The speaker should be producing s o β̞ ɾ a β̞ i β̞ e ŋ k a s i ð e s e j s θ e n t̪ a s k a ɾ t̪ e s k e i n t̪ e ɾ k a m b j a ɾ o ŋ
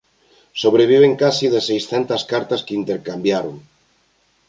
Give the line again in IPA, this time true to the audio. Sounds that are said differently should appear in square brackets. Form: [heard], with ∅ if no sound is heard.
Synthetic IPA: s o β̞ ɾ [e] β̞ i β̞ e ŋ k a s i ð e s e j s θ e n t̪ a s k a ɾ t̪ [a] s k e i n t̪ e ɾ k a m b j a ɾ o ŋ